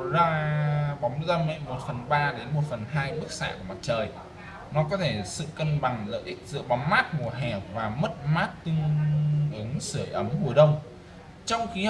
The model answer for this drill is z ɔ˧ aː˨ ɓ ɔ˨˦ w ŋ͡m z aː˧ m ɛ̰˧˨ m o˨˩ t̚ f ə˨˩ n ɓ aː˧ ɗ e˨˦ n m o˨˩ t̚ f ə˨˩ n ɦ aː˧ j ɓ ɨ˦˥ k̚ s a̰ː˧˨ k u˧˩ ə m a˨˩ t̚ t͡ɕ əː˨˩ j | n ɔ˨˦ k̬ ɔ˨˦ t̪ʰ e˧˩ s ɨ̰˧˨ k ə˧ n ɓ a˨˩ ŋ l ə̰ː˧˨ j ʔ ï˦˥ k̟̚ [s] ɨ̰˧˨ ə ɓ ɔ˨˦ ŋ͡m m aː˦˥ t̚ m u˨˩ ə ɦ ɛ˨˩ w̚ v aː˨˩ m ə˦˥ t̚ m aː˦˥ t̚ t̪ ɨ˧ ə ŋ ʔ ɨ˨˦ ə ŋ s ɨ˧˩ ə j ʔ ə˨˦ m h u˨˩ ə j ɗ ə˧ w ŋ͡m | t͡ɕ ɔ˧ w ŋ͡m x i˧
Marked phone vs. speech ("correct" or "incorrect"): incorrect